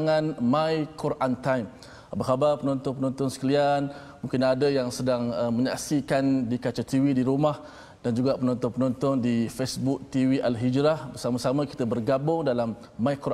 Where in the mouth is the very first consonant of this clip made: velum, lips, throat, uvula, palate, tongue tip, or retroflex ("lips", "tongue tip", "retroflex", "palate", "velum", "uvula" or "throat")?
velum